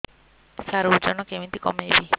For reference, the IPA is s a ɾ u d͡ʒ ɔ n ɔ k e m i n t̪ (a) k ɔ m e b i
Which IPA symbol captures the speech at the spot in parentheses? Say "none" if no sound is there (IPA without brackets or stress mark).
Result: i